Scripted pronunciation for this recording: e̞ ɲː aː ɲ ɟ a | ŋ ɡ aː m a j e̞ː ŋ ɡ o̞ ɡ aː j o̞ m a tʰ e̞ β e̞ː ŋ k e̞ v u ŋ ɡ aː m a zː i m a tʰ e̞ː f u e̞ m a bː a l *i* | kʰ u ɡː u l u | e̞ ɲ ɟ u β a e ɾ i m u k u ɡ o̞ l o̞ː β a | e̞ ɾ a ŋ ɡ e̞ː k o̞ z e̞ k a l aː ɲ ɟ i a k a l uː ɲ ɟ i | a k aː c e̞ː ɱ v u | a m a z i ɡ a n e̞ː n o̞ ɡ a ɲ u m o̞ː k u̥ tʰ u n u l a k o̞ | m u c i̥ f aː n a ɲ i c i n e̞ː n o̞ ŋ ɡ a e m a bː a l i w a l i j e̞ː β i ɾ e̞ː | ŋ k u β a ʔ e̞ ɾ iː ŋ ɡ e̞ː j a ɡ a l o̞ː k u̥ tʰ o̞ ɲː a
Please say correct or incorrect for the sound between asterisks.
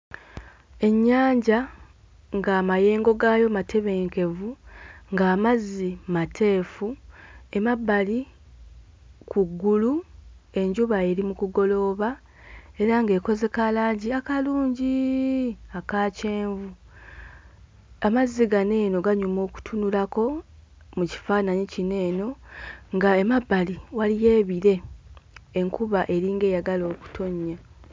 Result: correct